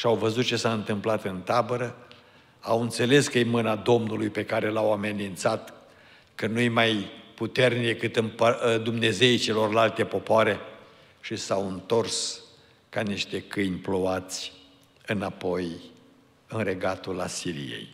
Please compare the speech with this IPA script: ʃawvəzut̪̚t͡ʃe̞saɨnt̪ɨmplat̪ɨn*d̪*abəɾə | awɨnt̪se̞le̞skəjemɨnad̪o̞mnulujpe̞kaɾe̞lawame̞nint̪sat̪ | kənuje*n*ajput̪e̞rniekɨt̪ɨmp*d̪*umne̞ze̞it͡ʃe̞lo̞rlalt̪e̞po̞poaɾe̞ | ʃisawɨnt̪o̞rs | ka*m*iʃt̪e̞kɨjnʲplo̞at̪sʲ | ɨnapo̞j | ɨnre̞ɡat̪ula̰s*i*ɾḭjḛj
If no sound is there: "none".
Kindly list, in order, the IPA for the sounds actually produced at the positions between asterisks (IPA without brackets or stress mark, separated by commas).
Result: t̪, m, d̪, n, i